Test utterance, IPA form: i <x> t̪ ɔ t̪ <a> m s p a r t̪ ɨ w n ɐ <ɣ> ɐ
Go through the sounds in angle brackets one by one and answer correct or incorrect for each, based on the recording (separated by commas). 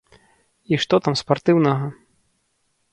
incorrect, correct, correct